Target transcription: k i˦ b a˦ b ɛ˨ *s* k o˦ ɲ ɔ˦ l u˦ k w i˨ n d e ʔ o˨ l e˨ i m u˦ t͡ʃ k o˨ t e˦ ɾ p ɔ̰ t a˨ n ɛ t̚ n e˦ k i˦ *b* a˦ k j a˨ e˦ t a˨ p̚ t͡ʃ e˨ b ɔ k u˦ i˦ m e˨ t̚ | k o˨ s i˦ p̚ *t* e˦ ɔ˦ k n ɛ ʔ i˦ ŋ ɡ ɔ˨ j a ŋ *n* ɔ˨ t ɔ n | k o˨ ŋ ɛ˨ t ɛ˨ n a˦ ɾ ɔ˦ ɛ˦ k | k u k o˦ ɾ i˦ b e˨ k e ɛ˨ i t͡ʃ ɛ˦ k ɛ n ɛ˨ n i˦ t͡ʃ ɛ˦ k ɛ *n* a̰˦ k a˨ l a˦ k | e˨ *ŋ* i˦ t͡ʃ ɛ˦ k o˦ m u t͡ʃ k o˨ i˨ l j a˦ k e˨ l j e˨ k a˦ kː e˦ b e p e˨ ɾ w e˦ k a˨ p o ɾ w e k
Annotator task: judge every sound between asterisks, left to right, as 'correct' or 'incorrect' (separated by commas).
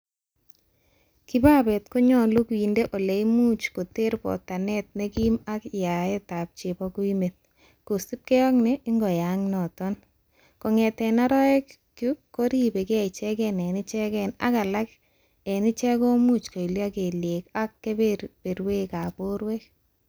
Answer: incorrect, incorrect, incorrect, correct, correct, incorrect